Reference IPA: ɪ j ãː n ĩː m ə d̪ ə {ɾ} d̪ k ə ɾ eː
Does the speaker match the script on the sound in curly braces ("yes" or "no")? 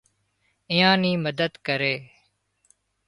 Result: no